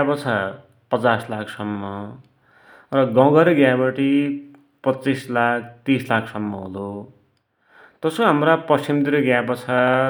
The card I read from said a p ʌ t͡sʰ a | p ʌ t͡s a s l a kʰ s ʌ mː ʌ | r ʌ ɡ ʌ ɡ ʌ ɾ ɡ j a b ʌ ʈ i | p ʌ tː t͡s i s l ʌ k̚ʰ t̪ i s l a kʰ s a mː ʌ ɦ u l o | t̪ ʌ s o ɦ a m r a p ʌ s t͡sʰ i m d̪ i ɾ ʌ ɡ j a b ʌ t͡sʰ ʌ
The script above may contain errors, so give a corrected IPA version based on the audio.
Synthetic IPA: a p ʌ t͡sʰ a | p ʌ t͡s a s l a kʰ s ʌ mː ʌ | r ʌ ɡ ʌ ɡ ʌ ɾ ɡ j a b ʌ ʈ i | p ʌ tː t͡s i s l a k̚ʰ t̪ i s l a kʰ s ʌ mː ʌ ɦ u l o | t̪ ʌ s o ɦ a m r a p ʌ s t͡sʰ i m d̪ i ɾ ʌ ɡ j a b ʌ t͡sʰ a